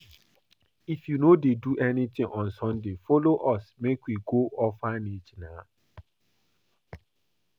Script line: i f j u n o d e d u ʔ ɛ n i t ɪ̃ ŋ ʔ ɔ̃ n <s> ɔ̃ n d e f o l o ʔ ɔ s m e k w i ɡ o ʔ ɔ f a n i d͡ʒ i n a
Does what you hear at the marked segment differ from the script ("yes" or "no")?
no